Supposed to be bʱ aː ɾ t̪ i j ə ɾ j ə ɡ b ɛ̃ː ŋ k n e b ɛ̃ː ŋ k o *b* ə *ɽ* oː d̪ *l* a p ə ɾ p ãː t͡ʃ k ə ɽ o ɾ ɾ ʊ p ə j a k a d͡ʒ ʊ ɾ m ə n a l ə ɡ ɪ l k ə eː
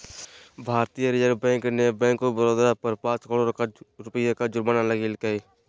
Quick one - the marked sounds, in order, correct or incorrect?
correct, incorrect, incorrect

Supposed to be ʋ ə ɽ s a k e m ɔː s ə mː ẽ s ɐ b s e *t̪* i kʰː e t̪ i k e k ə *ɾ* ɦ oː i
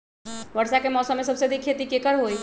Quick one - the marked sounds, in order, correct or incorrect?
incorrect, correct

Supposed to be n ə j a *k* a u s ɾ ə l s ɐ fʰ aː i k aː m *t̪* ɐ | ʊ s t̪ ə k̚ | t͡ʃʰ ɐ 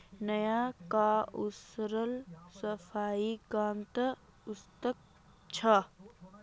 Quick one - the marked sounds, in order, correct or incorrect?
correct, correct

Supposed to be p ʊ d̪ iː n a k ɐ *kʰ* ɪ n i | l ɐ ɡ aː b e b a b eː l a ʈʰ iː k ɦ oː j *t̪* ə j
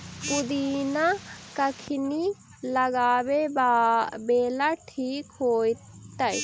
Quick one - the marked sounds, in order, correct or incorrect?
correct, correct

